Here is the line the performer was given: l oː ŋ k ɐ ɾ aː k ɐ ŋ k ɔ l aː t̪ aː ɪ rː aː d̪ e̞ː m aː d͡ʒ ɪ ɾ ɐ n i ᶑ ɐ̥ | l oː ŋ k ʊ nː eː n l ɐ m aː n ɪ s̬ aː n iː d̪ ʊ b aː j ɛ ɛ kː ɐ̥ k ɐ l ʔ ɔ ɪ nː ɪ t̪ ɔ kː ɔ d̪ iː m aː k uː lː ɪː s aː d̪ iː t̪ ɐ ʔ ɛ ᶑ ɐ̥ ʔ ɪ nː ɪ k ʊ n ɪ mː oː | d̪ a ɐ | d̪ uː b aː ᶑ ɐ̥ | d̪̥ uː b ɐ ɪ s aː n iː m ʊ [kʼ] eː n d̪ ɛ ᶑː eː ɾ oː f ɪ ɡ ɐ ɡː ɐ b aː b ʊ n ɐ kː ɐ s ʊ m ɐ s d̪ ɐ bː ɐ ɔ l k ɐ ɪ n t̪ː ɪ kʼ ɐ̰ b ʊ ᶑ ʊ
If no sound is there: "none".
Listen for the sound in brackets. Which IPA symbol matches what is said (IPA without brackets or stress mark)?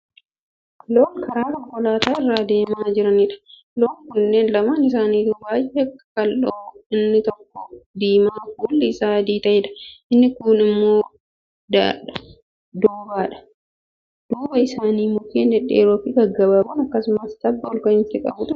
k